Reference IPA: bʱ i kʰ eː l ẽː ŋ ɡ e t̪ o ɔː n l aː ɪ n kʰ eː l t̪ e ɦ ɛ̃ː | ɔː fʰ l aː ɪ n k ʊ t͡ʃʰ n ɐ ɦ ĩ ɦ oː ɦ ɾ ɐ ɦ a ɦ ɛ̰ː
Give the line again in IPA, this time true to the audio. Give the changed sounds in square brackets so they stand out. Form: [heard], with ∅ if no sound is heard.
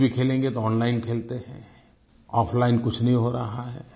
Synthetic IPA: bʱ i kʰ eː l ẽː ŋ ɡ e t̪ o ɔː n l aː ɪ n kʰ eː l t̪ e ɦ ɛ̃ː | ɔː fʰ l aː ɪ n k ʊ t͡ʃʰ n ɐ ɦ ĩ ɦ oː [∅] ɾ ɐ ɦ a ɦ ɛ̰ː